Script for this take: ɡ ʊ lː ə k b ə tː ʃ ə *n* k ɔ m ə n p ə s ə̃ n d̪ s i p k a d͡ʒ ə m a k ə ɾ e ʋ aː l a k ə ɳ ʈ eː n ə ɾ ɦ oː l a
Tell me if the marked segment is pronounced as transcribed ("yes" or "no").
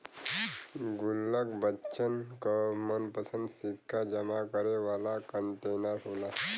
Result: yes